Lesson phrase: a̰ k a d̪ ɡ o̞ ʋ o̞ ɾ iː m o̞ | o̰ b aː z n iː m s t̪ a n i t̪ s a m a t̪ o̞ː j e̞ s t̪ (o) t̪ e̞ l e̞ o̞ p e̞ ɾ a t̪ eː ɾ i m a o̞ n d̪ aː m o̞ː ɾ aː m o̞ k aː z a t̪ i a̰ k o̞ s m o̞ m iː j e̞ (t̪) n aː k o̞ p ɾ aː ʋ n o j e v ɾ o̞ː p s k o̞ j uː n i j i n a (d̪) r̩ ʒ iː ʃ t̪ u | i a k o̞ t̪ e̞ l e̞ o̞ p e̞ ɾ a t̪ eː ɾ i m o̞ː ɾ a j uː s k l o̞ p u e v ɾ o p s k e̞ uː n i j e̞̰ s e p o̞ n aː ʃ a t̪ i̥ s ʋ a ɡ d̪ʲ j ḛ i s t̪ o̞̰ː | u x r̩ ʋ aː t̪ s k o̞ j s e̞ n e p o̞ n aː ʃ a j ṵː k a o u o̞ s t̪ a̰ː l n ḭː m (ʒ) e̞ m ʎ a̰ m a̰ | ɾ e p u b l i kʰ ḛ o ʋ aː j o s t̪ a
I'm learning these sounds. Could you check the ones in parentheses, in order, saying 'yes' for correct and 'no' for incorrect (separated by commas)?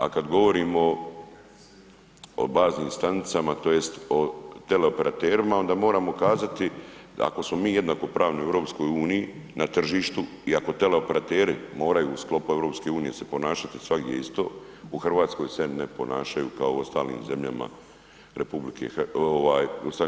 yes, no, no, no